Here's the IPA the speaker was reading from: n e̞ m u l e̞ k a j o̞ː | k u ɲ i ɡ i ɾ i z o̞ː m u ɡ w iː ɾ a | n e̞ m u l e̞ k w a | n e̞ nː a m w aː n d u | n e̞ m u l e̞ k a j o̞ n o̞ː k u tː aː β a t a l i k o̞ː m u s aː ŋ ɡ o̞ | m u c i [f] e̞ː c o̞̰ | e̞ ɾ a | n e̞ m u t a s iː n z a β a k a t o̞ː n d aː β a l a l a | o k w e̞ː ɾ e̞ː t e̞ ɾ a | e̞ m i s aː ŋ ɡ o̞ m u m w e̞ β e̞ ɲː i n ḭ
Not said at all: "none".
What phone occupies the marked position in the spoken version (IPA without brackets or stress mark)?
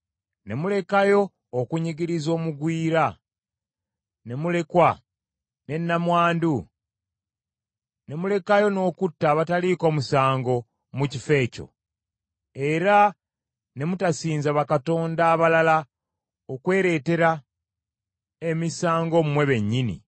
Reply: f